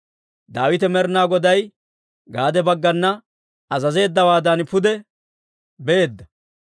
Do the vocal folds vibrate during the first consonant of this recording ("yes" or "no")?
yes